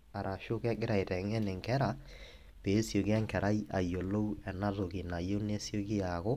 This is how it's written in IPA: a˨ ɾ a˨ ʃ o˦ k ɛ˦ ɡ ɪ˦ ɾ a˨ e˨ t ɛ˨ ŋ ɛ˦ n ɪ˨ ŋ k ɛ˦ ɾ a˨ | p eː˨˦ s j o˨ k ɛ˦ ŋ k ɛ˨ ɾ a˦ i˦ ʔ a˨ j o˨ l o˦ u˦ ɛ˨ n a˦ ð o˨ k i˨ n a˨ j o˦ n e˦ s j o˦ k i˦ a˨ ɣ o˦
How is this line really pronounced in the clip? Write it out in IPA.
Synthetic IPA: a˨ ɾ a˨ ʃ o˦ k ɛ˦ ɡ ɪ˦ ɾ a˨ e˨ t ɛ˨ ŋ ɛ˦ n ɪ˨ ŋ k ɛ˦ ɾ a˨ | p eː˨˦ s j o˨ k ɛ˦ ŋ k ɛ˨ ɾ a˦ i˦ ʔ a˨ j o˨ l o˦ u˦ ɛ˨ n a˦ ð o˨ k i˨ n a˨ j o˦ n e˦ s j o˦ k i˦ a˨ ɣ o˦